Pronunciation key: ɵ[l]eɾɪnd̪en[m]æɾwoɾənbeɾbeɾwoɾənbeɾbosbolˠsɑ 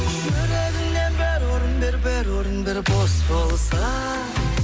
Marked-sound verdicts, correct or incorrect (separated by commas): incorrect, incorrect